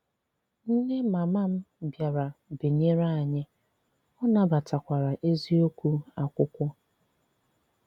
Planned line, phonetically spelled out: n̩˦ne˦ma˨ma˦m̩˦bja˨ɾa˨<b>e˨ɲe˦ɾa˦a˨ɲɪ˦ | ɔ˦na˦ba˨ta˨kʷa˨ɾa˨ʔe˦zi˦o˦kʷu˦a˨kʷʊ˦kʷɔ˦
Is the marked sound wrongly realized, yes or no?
no